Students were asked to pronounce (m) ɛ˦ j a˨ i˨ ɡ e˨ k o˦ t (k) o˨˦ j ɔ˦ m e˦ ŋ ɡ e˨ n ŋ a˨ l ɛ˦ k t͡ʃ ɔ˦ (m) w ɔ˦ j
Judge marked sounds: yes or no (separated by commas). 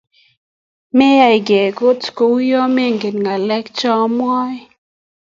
yes, yes, yes